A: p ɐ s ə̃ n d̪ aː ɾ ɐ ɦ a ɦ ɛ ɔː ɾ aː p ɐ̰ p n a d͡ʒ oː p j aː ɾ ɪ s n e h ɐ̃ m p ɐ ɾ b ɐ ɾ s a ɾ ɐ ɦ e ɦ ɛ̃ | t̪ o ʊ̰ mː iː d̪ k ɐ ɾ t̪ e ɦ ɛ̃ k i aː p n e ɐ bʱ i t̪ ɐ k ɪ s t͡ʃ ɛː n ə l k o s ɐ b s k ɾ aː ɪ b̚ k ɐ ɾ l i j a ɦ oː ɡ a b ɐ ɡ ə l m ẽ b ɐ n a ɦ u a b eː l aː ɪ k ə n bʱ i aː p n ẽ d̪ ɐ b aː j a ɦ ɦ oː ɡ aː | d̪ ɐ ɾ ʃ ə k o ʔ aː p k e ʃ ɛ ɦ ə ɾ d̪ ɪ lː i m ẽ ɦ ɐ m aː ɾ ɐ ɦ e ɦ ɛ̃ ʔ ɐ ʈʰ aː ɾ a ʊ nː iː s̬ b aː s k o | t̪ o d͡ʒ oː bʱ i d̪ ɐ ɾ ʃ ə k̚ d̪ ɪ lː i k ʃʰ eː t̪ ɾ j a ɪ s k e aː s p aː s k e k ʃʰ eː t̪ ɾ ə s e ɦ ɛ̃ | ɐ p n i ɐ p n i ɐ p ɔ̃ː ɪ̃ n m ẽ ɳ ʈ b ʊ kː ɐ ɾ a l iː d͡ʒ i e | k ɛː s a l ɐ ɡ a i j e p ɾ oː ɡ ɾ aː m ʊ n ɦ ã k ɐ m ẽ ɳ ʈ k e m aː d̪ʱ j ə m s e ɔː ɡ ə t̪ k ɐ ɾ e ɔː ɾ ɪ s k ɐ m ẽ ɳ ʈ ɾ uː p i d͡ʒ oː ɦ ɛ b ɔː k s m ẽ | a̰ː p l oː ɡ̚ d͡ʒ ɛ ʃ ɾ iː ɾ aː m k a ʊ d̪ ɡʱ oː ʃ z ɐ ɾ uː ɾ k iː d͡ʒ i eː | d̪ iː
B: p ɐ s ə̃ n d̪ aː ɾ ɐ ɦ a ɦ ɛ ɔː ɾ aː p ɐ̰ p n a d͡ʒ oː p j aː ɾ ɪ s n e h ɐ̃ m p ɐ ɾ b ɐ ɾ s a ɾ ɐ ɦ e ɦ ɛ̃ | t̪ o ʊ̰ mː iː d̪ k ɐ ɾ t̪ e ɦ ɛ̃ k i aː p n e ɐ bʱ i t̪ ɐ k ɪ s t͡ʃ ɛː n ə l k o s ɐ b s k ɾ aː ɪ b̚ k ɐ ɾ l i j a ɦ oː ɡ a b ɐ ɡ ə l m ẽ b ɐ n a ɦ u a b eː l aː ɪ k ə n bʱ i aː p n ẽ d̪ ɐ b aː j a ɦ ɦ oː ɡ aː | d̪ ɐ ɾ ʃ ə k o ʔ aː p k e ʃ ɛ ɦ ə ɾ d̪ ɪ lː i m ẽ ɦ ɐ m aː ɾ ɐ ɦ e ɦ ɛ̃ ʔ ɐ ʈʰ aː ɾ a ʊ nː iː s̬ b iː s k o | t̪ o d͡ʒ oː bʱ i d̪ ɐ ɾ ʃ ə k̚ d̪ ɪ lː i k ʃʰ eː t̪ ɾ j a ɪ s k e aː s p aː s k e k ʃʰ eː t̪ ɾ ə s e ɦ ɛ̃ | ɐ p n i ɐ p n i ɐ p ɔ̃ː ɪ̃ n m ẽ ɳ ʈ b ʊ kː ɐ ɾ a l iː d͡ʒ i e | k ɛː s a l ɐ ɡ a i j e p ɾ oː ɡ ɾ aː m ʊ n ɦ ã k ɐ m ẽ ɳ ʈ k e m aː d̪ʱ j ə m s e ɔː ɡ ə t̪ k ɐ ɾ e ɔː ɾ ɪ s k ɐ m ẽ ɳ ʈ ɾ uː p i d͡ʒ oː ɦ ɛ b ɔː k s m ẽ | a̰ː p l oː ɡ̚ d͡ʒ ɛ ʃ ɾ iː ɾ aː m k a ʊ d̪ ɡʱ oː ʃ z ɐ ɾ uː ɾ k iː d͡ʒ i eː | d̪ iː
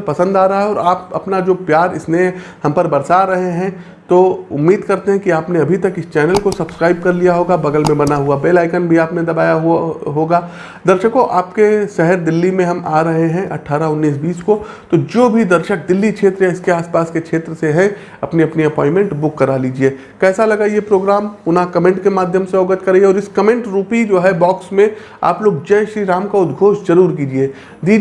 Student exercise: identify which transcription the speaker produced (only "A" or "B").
B